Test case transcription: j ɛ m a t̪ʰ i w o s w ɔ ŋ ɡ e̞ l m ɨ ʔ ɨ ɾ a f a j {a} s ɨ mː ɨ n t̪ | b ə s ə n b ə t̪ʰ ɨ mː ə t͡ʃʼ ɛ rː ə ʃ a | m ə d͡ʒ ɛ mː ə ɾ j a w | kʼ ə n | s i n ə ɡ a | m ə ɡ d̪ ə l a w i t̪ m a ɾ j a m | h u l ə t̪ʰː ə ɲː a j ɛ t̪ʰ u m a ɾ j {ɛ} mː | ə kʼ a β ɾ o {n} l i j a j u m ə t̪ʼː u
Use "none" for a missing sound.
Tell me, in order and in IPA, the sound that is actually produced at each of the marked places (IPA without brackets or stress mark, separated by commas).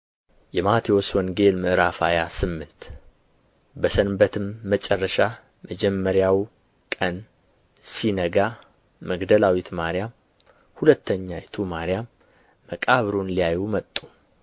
a, a, n